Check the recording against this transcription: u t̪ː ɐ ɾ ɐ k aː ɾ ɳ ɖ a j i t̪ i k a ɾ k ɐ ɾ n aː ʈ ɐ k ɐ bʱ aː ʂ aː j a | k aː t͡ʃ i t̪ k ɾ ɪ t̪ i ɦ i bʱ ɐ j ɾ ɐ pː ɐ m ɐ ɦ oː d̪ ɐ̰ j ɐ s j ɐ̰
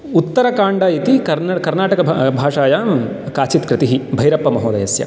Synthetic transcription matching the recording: u t̪ː ɐ ɾ ɐ k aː ɳ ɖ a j i t̪ i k ɐ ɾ k ɐ ɾ n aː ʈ ɐ k ɐ bʱ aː ʂ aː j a | k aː t͡ʃ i t̪ k ɾ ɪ t̪ i ɦ i bʱ ɐ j ɾ ɐ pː ɐ m ɐ ɦ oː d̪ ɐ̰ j ɐ s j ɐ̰